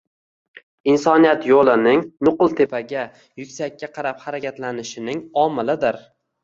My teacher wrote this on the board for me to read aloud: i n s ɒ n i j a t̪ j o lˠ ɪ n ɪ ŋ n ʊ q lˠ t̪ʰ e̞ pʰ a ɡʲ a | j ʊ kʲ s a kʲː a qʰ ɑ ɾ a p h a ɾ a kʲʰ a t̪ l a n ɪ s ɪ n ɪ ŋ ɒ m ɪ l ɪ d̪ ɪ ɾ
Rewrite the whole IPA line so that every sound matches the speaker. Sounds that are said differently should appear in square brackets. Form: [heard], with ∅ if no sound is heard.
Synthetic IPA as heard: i n s ɒ n i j a t̪ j o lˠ ɪ n ɪ ŋ n ʊ q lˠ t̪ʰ e̞ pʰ a ɡʲ a | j ʊ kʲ s a kʲː a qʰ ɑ ɾ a p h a ɾ a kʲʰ a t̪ l a n ɪ [ʃ] ɪ n ɪ ŋ ɒ m ɪ l ɪ d̪ ɪ ɾ

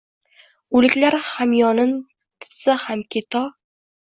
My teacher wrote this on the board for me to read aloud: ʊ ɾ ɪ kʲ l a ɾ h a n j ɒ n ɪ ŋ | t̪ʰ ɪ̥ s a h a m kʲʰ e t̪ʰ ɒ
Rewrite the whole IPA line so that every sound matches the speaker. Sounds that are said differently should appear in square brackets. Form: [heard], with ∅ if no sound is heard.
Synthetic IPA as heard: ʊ [l] ɪ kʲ l a ɾ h a [m] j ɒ n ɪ [n] | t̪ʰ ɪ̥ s a h a m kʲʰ e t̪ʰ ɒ

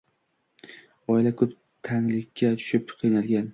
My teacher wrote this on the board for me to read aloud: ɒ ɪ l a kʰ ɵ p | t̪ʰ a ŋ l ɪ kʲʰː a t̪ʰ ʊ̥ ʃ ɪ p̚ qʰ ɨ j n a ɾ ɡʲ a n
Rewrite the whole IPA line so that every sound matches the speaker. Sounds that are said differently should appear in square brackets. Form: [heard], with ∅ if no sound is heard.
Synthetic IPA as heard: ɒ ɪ l a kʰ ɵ p | t̪ʰ a ŋ l ɪ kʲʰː a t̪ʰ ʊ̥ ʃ ɪ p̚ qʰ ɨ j n a [l] ɡʲ a n

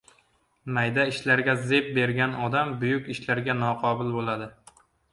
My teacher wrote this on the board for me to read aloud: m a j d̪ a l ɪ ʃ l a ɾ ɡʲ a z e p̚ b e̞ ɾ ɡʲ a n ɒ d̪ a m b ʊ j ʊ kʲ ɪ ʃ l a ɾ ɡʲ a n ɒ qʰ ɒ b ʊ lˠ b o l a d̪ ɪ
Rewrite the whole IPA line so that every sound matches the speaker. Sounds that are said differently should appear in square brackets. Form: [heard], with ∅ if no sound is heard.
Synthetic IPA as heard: m a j d̪ a [∅] ɪ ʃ l a ɾ ɡʲ a z e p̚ b e̞ ɾ ɡʲ a n ɒ d̪ a m b ʊ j ʊ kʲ ɪ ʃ l a ɾ ɡʲ a n ɒ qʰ ɒ b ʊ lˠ b o l a d̪ ɪ

